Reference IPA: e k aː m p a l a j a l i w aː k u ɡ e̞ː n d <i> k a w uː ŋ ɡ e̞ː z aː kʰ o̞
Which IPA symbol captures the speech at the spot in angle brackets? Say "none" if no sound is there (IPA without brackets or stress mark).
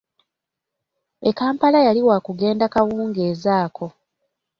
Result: a